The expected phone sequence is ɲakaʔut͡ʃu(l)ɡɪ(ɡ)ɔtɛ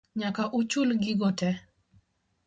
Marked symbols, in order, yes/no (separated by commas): yes, yes